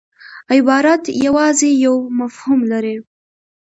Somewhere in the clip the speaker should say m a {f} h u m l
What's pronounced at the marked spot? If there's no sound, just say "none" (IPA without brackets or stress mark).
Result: f